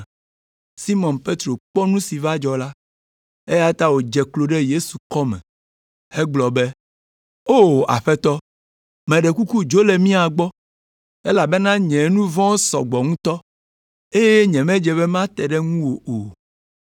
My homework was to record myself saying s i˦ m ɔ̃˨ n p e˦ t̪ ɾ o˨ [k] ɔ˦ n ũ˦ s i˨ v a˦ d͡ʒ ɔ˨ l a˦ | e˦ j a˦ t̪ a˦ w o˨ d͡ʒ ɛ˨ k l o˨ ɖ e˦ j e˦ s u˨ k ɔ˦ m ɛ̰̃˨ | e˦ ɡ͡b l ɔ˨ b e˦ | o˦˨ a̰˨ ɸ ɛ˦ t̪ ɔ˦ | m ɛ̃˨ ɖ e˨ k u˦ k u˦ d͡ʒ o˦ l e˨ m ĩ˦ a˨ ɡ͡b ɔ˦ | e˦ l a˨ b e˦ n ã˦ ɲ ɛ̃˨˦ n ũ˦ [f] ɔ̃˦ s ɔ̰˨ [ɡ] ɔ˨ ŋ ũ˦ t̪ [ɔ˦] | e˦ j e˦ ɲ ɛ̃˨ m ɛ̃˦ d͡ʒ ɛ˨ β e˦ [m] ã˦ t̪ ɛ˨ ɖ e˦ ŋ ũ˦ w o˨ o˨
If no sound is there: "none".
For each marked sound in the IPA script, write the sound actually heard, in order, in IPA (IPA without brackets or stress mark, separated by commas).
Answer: k͡p, v, ɡ͡b, ɔ˦, m